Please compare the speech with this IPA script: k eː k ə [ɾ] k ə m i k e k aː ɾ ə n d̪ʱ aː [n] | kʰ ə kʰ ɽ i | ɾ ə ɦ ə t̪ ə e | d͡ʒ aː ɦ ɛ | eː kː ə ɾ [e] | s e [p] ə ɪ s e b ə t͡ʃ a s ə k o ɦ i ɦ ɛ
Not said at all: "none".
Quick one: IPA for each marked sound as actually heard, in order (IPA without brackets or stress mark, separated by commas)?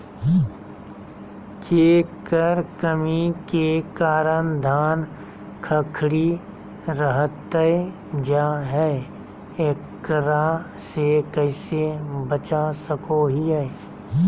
ɾ, n, a, k